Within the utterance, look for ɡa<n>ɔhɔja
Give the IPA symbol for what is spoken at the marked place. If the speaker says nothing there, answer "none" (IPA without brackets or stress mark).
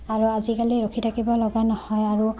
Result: n